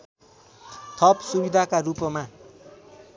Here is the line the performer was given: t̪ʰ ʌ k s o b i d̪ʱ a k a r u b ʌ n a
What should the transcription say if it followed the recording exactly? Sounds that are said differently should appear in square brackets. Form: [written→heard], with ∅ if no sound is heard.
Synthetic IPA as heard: t̪ʰ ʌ [k→p] s [o→u] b i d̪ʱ a k a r u [b→p] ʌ [n→m] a